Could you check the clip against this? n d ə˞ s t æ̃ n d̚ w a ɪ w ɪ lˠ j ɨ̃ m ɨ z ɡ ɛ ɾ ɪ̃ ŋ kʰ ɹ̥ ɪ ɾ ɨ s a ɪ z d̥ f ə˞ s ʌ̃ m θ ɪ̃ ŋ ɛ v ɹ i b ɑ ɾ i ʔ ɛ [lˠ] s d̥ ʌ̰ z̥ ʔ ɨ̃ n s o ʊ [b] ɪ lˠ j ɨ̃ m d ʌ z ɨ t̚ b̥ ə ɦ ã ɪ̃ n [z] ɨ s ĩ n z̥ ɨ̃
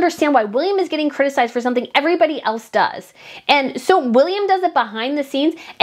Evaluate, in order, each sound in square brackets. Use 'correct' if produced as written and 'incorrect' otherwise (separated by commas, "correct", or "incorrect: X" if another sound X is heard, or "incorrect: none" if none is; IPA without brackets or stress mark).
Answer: correct, incorrect: w, incorrect: ð